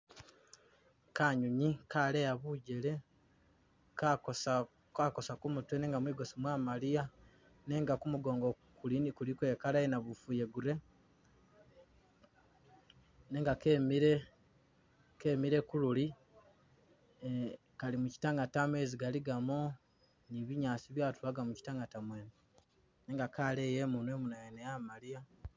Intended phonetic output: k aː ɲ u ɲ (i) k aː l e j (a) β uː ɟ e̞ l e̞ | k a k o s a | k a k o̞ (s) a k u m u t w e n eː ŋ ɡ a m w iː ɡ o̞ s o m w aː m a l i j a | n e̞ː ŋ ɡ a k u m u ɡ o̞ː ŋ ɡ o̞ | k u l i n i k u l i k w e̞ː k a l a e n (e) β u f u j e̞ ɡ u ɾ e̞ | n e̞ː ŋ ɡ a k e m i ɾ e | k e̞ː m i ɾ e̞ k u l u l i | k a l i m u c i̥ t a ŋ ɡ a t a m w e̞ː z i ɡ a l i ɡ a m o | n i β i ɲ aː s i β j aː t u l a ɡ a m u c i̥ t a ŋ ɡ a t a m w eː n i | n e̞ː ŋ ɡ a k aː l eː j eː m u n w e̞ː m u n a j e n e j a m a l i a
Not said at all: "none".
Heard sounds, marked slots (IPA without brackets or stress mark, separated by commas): i, a, s, a